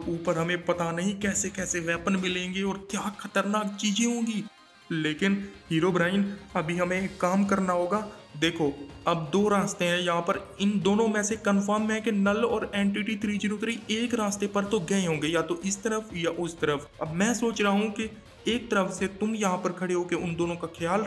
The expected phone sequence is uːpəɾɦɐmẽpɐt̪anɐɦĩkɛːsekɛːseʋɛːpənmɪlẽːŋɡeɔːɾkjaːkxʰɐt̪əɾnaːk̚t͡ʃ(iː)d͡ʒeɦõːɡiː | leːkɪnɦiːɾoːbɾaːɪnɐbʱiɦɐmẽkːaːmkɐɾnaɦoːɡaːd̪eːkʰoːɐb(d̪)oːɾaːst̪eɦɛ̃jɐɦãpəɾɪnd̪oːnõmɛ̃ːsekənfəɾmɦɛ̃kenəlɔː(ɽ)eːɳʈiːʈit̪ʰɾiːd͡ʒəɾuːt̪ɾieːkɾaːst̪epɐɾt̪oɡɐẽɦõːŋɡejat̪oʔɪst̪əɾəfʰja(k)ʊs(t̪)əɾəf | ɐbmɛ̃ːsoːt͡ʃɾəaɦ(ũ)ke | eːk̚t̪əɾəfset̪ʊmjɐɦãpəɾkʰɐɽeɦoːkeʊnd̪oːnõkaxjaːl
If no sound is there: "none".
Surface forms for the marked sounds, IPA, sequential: iː, d̪, ɾ, ʔ, t̪, ũ

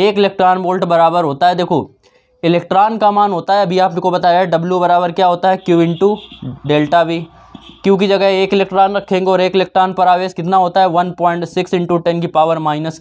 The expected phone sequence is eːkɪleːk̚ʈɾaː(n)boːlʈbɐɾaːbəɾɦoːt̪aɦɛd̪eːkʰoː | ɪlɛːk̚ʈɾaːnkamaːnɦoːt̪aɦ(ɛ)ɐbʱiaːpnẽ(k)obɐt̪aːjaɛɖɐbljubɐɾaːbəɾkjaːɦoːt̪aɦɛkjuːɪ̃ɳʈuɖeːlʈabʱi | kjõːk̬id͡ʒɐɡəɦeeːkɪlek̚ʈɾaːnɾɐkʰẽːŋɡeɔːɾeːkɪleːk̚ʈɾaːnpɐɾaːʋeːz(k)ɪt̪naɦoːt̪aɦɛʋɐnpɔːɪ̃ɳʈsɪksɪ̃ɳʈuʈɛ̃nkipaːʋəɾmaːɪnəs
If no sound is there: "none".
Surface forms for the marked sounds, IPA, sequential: n, ɛ, k, k

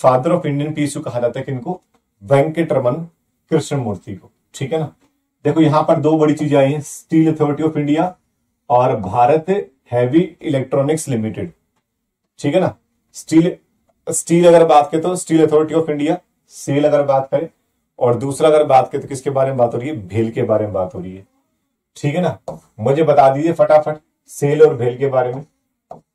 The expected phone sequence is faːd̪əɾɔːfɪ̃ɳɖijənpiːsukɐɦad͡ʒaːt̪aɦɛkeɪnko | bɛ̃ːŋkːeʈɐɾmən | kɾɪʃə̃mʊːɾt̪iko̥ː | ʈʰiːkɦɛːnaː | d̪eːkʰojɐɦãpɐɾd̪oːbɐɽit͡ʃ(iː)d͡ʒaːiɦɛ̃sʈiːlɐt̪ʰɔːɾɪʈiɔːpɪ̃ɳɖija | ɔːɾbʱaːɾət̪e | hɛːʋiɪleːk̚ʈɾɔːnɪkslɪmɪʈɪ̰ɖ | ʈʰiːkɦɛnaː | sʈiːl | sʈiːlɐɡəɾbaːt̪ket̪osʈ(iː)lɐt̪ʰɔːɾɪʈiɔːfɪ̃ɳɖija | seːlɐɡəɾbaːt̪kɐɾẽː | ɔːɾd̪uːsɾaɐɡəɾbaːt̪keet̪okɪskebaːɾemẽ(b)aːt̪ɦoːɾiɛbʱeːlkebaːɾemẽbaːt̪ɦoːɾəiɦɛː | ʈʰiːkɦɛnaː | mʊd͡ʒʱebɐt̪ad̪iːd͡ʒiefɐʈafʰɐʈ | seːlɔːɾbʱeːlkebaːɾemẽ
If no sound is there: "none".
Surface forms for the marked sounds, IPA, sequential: iː, iː, b

